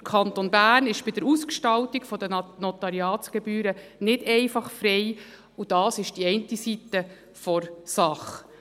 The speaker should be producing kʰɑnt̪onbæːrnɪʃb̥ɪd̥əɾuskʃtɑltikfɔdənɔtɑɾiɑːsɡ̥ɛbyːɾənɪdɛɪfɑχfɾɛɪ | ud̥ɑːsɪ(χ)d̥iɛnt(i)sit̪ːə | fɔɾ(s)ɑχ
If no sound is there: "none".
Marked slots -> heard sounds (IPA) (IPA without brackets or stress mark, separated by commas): ʃ, i, s